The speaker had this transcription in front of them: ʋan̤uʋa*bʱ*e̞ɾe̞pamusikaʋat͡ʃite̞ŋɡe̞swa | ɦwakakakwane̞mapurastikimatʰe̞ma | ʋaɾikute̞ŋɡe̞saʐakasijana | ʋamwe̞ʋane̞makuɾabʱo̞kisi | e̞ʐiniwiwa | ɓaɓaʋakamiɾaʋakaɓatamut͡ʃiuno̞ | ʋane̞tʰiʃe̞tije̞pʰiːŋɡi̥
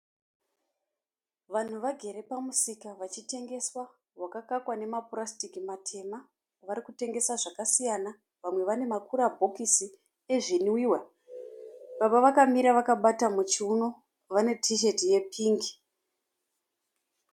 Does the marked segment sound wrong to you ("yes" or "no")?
yes